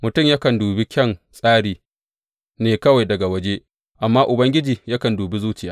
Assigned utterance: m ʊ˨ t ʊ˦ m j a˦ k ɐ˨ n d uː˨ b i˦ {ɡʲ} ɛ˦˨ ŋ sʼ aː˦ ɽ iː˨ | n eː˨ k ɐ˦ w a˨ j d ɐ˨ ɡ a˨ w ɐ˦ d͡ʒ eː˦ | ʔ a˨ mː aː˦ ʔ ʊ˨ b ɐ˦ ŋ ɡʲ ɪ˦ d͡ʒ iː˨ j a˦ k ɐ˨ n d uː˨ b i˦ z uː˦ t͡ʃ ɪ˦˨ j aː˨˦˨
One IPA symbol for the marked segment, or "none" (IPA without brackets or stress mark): kʲ